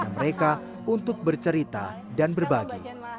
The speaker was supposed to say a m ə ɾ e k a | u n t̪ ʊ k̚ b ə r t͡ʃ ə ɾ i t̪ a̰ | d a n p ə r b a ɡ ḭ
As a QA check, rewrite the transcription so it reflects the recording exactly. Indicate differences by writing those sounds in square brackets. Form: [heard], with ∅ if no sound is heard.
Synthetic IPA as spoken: a m ə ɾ e k a | u n t̪ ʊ k̚ b ə r t͡ʃ ə ɾ i t̪ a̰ | d a n [b] ə r b a ɡ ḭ